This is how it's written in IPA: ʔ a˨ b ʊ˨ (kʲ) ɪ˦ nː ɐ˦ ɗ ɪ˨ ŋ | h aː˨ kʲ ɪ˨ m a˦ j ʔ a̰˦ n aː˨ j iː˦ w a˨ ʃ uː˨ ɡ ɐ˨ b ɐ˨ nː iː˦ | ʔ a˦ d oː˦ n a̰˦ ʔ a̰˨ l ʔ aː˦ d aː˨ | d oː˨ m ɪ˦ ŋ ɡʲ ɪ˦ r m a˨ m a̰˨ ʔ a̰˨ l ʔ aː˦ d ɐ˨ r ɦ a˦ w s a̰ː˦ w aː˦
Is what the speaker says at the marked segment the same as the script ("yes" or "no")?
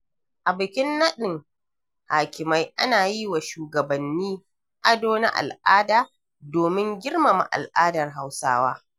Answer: yes